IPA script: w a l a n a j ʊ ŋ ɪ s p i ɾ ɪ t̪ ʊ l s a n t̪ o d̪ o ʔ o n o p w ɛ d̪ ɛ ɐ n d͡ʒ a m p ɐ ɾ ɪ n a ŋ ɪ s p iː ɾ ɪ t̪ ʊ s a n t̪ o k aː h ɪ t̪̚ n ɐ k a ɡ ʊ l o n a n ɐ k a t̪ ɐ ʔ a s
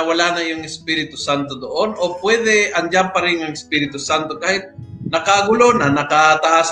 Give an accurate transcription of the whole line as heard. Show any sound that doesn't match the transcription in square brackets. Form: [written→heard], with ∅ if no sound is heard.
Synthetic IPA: w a l a n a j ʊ ŋ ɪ s p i ɾ ɪ t̪ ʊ [l→∅] s a n t̪ o d̪ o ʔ o n o p w ɛ d̪ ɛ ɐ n d͡ʒ a m p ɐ ɾ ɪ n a ŋ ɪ s p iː ɾ ɪ t̪ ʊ s a n t̪ o k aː h ɪ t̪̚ n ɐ k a ɡ ʊ l o n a n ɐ k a t̪ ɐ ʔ a s